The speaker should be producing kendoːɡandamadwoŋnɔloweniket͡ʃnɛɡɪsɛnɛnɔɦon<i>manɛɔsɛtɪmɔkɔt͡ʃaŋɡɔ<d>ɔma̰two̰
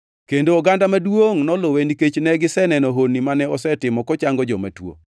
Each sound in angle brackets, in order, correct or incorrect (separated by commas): correct, incorrect